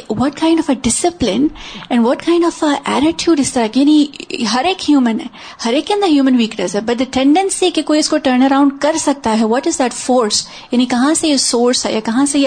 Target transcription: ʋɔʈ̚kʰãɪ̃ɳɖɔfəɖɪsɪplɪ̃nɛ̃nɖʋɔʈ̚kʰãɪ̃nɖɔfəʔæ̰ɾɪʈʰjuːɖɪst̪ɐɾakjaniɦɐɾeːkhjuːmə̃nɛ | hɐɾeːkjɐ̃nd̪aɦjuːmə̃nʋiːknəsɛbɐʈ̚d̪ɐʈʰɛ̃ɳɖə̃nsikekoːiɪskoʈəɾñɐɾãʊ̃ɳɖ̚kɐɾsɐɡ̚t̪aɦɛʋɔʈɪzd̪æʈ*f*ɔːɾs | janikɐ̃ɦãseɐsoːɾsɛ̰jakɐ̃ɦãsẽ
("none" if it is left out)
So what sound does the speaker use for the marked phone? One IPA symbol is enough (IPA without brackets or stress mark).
f